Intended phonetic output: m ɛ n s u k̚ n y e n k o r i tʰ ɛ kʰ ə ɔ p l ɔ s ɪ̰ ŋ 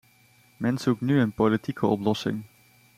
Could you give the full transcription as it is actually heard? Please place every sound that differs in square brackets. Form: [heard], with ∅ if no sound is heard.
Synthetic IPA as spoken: m ɛ n s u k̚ n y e n [p] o [l] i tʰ [i] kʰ ə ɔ p l ɔ s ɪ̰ ŋ